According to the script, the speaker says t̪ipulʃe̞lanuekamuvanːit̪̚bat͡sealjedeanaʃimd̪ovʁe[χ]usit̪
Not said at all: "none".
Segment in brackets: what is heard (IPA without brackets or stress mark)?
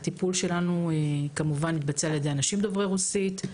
ʁ